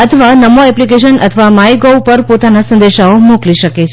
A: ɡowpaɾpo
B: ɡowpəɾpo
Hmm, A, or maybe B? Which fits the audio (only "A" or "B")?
B